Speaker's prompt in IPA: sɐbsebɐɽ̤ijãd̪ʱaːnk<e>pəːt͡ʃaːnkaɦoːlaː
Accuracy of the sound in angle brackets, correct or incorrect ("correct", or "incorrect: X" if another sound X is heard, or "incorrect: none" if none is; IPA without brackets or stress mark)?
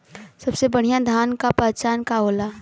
incorrect: a